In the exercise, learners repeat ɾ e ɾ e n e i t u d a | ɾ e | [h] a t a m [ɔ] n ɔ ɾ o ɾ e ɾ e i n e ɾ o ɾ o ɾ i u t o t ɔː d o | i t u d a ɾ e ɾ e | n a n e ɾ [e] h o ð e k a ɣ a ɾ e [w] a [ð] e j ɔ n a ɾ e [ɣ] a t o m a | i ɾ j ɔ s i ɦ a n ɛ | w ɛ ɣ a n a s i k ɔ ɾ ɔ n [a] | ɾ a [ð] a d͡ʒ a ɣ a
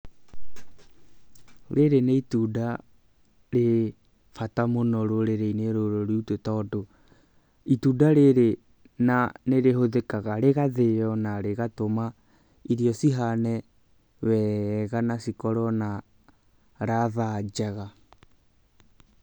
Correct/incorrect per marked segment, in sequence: incorrect: f, incorrect: o, correct, incorrect: ɣ, correct, correct, correct, correct

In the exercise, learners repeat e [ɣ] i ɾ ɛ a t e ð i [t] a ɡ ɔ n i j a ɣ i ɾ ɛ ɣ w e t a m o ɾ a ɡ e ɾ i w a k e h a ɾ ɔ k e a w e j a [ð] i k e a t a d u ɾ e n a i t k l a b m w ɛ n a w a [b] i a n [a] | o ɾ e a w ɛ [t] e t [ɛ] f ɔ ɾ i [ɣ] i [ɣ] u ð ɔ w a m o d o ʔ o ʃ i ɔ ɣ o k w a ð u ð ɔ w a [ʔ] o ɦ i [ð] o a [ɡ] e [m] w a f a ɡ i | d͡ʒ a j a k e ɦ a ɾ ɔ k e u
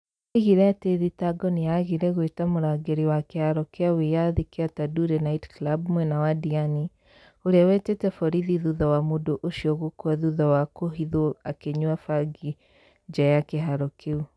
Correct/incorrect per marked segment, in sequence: correct, correct, correct, incorrect: d, incorrect: i, correct, correct, incorrect: ð, incorrect: ð, incorrect: k, correct, incorrect: k, incorrect: ɲ

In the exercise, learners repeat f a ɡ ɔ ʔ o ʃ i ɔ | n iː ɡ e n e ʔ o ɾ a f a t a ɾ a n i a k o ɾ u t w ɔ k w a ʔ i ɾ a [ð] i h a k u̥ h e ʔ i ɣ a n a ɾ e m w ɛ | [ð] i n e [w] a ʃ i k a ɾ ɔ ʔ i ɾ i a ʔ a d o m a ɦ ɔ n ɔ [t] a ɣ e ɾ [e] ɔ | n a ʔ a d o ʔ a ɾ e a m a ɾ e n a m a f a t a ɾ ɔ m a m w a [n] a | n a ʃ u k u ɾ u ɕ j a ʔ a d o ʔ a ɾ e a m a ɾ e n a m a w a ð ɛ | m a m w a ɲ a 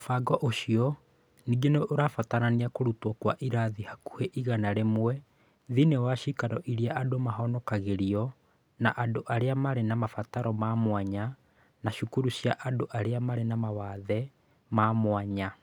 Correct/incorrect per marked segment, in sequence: correct, correct, correct, incorrect: k, incorrect: i, incorrect: ɲ

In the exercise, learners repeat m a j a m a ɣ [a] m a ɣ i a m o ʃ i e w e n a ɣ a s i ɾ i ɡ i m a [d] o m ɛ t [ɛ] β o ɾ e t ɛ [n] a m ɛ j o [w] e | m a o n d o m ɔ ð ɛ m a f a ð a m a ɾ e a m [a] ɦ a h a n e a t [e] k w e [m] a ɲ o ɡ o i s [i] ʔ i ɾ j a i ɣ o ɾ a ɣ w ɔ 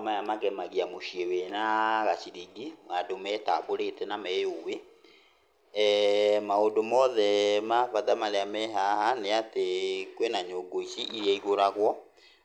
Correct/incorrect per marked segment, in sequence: incorrect: ɛ, correct, incorrect: a, correct, correct, incorrect: ɛ, correct, incorrect: n, correct

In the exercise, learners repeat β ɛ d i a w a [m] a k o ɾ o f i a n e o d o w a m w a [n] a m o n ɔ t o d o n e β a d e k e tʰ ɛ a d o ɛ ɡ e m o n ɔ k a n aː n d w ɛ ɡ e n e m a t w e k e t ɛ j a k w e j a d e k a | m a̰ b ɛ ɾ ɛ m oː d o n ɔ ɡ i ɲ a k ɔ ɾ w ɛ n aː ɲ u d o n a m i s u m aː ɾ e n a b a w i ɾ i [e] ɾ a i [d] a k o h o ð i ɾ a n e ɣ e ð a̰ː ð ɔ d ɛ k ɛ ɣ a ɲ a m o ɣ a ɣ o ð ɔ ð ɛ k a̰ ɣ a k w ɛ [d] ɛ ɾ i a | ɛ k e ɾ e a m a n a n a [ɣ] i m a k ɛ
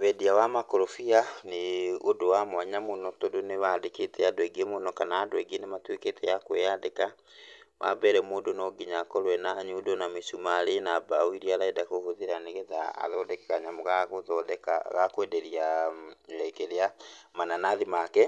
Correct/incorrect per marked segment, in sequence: correct, incorrect: ɲ, incorrect: a, correct, correct, incorrect: ð

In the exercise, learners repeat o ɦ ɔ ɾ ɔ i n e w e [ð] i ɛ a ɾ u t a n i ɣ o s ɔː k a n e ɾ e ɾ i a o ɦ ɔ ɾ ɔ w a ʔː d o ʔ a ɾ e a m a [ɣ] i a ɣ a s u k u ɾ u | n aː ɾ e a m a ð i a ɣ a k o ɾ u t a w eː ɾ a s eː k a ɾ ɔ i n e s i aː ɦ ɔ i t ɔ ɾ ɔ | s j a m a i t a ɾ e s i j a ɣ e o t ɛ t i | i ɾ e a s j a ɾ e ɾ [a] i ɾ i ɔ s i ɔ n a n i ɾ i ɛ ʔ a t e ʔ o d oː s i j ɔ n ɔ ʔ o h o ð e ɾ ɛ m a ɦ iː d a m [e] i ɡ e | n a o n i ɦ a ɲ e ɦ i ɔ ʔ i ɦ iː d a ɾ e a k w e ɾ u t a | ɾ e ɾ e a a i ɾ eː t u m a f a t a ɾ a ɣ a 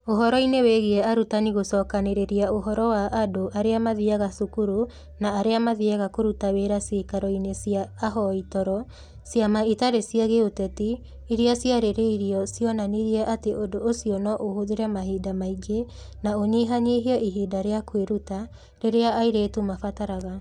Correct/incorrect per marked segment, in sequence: incorrect: ɣ, incorrect: ð, incorrect: e, incorrect: a

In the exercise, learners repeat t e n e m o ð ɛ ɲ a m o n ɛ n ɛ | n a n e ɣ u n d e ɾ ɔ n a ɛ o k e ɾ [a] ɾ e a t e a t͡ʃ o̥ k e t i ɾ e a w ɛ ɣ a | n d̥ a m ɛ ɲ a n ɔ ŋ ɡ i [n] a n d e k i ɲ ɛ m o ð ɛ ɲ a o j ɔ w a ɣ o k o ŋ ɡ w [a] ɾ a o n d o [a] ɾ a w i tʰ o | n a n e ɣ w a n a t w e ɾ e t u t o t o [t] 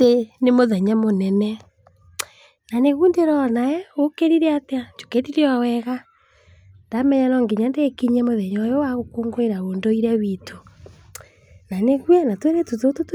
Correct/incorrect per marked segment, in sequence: incorrect: i, incorrect: ɲ, incorrect: e, incorrect: i, correct

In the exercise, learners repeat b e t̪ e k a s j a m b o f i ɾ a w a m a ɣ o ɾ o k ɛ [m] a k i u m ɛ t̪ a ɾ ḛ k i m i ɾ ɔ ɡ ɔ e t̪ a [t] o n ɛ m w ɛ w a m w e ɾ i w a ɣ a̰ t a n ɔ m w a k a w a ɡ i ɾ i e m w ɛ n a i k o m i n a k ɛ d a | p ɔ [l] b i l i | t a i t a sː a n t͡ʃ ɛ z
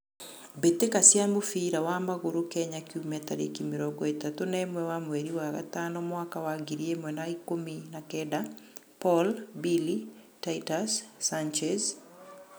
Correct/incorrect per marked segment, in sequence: incorrect: ɲ, correct, correct

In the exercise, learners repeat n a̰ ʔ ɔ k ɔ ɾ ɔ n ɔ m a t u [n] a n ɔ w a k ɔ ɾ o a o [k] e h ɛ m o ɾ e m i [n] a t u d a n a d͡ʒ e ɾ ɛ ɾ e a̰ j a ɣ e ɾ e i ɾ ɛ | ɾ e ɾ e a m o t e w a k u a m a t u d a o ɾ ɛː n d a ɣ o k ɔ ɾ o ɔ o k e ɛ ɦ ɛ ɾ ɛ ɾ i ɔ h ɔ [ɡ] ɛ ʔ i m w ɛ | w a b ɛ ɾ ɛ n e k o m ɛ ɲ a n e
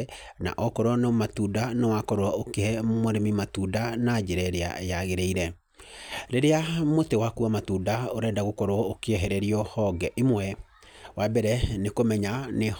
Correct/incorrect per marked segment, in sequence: incorrect: d, correct, incorrect: m, correct

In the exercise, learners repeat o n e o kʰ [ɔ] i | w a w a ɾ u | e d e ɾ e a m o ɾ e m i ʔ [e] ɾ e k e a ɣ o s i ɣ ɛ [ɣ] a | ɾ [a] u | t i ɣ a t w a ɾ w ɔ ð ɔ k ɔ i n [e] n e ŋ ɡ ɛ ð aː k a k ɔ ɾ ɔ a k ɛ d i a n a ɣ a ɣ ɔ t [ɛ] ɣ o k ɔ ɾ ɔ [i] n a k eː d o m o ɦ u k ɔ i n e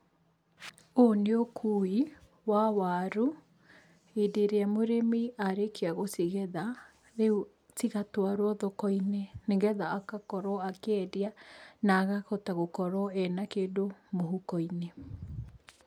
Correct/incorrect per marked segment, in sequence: incorrect: u, incorrect: a, incorrect: ð, incorrect: e, correct, incorrect: a, incorrect: ɛ

